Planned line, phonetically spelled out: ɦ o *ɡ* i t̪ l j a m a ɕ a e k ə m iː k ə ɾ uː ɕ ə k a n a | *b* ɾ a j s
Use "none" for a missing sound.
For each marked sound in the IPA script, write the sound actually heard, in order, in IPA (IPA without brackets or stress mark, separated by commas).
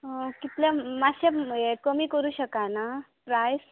k, p